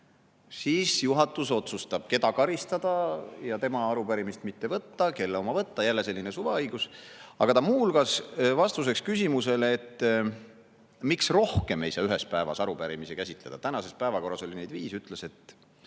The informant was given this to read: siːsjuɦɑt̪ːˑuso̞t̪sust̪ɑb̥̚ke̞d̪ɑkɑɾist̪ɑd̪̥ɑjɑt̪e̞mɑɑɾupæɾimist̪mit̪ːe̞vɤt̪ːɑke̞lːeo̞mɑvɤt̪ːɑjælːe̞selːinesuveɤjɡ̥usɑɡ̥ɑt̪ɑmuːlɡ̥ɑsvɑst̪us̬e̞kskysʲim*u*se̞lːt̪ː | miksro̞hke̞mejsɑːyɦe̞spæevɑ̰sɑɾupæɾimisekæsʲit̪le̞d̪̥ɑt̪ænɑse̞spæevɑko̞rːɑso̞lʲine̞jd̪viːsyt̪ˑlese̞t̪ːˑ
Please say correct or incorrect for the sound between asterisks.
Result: correct